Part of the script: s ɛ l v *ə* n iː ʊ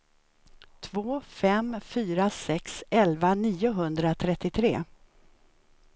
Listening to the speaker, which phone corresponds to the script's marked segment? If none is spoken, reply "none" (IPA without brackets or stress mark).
a